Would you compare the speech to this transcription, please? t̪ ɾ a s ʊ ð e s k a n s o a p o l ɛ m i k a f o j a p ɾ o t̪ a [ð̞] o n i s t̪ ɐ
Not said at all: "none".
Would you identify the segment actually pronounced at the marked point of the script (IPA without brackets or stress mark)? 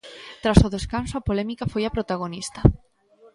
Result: ɣ̞